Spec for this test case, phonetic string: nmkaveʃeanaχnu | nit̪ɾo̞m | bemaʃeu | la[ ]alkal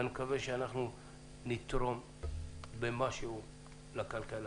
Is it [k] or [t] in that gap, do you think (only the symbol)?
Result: k